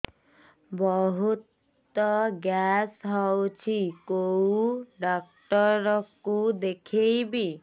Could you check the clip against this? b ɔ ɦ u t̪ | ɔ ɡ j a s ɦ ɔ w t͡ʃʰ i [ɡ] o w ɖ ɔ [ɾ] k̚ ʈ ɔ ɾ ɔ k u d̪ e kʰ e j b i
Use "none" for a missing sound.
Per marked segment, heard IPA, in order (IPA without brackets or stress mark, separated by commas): k, none